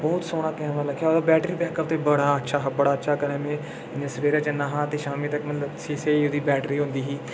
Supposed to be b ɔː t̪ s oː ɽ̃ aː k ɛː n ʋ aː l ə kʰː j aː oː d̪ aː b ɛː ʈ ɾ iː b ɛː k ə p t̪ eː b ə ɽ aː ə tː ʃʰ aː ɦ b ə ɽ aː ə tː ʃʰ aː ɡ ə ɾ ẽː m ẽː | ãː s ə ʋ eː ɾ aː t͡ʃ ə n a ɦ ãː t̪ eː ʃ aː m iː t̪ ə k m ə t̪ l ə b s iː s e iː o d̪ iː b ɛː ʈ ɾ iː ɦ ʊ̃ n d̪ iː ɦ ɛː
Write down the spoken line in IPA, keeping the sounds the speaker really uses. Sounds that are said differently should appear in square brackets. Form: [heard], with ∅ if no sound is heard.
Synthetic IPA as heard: b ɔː t̪ s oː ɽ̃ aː k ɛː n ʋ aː l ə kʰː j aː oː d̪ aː b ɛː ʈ ɾ iː b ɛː k ə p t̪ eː b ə ɽ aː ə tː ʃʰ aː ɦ b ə ɽ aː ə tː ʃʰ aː [k] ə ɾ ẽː m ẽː | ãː s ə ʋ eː ɾ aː t͡ʃ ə n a ɦ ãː t̪ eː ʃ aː m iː t̪ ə k m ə t̪ l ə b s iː s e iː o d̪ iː b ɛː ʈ ɾ iː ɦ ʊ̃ n d̪ iː ɦ [iː]